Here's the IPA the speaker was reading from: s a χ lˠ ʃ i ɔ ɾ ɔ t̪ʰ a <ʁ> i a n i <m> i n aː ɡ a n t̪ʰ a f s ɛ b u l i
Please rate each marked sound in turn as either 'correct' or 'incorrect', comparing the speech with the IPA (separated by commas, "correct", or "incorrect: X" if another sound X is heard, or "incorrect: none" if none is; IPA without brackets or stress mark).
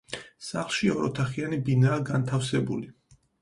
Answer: incorrect: χ, incorrect: b